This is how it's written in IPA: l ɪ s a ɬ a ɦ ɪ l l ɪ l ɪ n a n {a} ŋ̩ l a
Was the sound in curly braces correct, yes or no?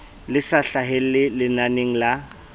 no